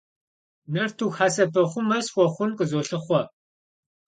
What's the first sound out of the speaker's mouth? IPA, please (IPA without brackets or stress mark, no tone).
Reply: n